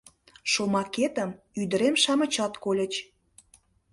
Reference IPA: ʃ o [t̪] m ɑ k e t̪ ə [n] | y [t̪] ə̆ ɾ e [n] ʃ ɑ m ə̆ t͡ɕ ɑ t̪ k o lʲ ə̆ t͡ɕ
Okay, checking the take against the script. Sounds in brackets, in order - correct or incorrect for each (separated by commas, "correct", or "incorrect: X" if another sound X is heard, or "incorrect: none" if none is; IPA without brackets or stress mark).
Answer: incorrect: none, incorrect: m, incorrect: d̪, incorrect: m